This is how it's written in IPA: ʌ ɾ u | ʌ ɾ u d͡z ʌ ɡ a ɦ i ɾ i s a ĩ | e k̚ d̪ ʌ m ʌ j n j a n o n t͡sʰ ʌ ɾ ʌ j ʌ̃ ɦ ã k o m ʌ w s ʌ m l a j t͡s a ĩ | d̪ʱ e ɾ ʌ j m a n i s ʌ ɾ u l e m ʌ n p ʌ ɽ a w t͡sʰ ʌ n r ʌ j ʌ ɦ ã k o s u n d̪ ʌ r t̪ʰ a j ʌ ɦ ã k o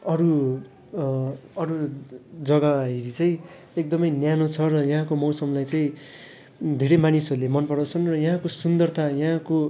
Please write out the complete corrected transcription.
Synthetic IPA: ʌ ɾ u | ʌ ɾ u d͡z ʌ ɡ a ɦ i ɾ i t͡s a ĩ | e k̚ d̪ ʌ m ʌ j n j a n o t͡sʰ ʌ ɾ ʌ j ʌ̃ ɦ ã k o m ʌ w s ʌ m l a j t͡s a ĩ | d̪ʱ e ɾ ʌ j m a n i s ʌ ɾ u l e m ʌ n p ʌ ɽ a w t͡sʰ ʌ n r ʌ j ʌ ɦ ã k o s u n d̪ ʌ r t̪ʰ a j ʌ ɦ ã k o